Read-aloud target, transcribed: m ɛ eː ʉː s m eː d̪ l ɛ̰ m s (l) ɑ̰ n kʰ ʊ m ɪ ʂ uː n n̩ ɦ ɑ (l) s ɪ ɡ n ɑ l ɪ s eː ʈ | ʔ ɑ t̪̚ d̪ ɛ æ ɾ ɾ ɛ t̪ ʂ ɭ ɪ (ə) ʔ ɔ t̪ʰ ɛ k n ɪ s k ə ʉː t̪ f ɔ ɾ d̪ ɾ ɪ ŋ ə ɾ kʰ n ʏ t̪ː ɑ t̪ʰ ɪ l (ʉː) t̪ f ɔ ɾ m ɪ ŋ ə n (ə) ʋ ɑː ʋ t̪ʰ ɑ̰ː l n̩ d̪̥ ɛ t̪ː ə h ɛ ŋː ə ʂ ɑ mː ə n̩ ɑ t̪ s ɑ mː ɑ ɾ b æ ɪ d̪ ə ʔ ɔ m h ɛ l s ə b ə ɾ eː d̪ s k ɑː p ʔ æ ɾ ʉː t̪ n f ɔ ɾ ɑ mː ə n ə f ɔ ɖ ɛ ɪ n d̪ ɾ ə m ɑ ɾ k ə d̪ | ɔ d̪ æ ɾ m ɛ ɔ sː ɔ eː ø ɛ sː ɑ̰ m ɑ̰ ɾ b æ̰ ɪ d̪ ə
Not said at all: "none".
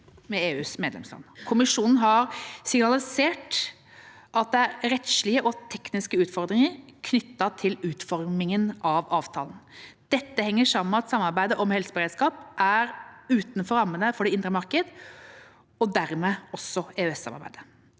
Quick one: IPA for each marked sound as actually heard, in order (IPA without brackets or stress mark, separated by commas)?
l, ɾ, ə, ʉː, ɑ